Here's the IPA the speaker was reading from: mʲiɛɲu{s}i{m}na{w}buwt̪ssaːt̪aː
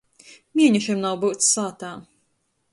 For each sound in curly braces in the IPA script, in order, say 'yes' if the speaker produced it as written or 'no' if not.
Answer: no, yes, yes

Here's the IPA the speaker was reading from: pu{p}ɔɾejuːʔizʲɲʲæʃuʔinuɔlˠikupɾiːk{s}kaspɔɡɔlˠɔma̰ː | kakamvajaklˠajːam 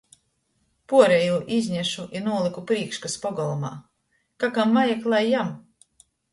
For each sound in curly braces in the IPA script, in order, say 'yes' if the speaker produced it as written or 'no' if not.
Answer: no, no

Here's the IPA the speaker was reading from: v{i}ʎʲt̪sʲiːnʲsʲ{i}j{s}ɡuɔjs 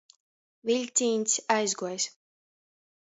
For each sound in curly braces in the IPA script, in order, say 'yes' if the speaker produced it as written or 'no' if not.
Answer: yes, no, no

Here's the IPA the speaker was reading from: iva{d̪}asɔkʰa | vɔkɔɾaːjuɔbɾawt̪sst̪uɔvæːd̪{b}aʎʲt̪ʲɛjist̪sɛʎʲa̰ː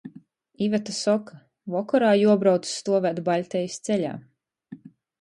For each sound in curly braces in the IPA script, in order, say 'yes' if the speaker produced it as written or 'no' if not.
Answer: no, yes

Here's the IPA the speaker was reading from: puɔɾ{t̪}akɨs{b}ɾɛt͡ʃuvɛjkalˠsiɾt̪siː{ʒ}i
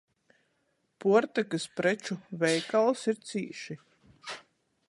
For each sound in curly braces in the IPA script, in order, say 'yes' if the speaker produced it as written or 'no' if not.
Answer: yes, no, no

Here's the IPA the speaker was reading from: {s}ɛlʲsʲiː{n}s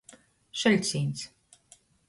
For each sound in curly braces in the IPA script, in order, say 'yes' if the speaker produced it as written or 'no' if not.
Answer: no, yes

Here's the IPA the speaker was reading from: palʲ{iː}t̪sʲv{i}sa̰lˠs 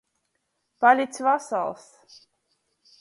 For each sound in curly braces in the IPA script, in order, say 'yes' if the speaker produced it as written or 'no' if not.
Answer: no, no

